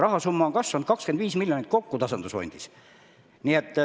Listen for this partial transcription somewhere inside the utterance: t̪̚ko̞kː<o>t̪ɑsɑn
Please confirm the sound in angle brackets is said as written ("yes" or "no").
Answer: no